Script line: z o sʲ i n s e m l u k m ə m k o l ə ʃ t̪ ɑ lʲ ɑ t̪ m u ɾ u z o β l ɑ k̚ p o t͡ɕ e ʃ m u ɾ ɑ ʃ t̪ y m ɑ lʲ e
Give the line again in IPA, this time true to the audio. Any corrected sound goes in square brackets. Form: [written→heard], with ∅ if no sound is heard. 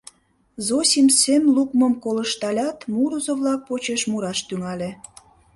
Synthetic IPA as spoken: z o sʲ i [n→m] s e m l u k m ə m k o l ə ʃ t̪ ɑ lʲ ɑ t̪ m u ɾ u z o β l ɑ k̚ p o t͡ɕ e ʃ m u ɾ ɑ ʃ t̪ y [m→ŋ] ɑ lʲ e